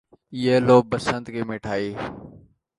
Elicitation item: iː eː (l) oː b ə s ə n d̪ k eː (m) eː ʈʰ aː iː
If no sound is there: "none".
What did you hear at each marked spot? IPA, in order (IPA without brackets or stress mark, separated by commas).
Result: l, m